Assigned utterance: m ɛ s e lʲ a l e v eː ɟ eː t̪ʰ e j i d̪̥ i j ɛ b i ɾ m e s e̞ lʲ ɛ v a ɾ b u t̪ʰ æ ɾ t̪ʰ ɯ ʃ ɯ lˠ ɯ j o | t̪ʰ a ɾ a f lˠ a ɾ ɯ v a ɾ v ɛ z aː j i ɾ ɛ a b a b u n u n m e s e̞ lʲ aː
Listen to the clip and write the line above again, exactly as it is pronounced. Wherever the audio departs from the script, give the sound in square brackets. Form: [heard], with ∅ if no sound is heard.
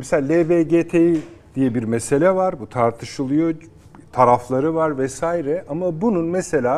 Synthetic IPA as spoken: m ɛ s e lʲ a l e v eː ɟ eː t̪ʰ e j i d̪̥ i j ɛ b i ɾ m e s e̞ lʲ ɛ v a ɾ b u t̪ʰ [a] ɾ t̪ʰ ɯ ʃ ɯ lˠ ɯ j o | t̪ʰ a ɾ a f lˠ a ɾ ɯ v a ɾ v ɛ [s] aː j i ɾ ɛ a [m] a b u n u n m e s e̞ lʲ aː